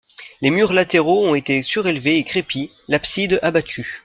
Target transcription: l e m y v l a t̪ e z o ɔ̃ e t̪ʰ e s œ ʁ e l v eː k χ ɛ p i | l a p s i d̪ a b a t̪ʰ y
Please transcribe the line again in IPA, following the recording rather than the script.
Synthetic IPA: l e m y ʁ l a t̪ e ʁ o ɔ̃ e t̪ e s y ʁ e l v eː k χ e p i | l a p s i d̪ a b a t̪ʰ y